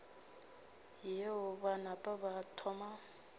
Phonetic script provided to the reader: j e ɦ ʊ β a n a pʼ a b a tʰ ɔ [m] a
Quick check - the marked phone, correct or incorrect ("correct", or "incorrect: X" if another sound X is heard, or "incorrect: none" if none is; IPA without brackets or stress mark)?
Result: correct